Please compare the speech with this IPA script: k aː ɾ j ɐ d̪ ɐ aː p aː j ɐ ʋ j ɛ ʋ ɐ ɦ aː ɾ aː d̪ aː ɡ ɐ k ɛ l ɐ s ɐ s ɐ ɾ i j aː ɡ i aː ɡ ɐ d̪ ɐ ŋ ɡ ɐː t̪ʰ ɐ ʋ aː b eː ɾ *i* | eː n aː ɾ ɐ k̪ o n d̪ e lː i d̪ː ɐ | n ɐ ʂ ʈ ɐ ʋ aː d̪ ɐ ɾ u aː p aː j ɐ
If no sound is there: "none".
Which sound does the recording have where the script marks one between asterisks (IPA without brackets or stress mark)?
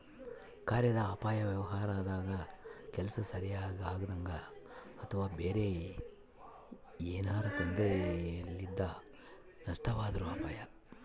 e